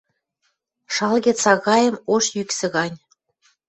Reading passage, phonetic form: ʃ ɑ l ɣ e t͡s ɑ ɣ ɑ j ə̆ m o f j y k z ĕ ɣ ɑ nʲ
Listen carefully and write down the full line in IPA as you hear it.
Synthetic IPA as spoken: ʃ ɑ l ɣ e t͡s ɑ ɣ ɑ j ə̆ m o ʃ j y k s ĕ ɣ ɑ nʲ